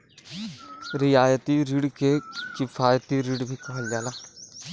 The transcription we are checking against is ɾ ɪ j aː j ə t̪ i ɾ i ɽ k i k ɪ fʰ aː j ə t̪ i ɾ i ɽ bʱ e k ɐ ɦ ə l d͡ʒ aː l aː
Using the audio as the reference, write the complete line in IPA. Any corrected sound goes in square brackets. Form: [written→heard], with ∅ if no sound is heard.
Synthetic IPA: ɾ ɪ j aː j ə t̪ i ɾ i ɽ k [i→e] k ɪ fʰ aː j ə t̪ i ɾ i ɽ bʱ [e→i] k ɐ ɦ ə l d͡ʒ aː l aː